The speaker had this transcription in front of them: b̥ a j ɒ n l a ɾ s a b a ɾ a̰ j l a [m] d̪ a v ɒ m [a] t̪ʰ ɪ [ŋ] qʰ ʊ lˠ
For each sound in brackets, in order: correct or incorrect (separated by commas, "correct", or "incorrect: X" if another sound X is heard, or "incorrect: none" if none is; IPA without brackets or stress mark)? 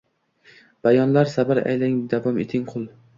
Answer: incorrect: ŋ, incorrect: e, correct